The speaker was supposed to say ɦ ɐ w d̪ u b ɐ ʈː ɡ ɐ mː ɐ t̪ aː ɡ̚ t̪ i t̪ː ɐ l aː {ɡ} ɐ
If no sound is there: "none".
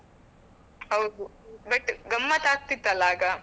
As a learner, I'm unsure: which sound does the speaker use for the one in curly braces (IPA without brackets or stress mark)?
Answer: ɡ